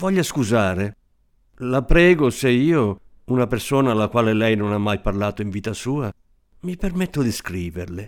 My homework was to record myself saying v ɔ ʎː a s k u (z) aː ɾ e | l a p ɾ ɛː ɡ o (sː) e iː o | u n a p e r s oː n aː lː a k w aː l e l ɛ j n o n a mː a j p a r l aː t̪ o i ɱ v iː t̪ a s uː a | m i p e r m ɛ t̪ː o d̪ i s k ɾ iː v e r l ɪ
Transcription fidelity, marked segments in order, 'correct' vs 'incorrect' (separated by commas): correct, incorrect